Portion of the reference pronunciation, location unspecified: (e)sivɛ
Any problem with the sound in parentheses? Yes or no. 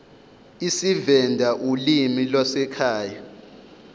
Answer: yes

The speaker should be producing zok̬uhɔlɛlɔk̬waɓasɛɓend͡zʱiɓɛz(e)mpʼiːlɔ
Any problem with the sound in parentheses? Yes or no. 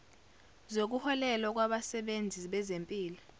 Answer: no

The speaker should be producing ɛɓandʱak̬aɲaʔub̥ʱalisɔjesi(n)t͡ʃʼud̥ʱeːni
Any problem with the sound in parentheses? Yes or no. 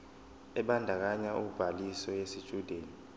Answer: yes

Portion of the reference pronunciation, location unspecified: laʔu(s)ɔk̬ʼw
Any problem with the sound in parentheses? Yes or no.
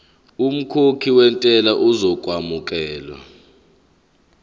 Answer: yes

